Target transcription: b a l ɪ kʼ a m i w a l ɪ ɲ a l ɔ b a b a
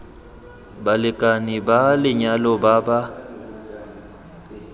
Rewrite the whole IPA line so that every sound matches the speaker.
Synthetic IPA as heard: b a l ɪ kʼ a n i b a l ɪ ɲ a l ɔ b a b a